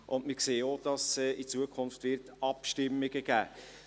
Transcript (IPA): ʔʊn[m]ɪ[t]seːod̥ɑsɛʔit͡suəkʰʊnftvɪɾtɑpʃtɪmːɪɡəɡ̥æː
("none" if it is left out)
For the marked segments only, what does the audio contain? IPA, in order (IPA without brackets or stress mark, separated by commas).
m, k